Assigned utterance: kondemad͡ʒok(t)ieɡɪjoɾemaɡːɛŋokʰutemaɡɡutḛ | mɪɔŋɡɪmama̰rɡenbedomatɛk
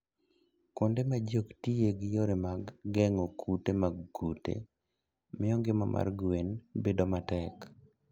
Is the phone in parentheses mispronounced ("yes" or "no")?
no